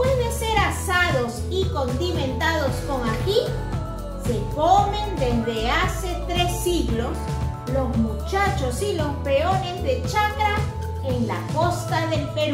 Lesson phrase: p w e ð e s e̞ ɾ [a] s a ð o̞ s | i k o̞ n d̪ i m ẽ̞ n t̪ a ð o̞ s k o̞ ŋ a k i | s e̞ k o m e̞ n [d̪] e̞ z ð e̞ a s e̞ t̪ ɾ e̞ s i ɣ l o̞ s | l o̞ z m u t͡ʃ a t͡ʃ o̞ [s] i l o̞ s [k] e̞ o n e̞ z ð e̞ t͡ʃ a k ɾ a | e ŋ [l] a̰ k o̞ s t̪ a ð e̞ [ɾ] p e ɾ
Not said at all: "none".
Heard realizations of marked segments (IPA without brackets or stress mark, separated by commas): a, d̪, s, p, l, l